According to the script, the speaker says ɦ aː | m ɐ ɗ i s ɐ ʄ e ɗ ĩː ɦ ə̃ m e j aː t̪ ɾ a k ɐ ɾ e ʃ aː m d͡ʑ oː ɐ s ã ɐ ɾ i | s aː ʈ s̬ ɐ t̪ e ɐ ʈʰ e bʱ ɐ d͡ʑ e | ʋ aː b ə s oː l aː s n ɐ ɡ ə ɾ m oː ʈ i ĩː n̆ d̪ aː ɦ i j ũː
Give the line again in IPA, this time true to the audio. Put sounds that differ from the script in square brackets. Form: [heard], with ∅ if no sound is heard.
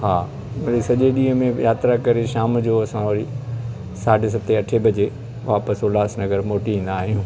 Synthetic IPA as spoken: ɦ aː | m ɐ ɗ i s ɐ ʄ e ɗ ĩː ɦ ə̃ m [ẽ] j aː t̪ ɾ a k ɐ ɾ e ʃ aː m d͡ʑ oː ɐ s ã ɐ ɾ i | s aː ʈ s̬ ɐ t̪ e ɐ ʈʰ e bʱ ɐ d͡ʑ e | ʋ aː [p] ə s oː l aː s n ɐ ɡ ə ɾ m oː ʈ i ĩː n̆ d̪ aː ɦ i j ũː